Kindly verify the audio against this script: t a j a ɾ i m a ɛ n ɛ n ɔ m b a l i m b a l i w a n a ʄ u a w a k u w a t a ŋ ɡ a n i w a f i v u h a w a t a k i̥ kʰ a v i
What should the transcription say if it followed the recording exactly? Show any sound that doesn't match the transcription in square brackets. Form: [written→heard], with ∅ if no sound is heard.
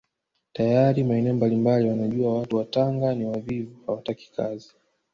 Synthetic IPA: t a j a ɾ i m a ɛ n ɛ [n→∅] ɔ m b a l i m b a l i w a n a ʄ u a w a [k→t] u w a t a ŋ ɡ a n i w a [f→v] i v u h a w a t a k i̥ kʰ a [v→z] i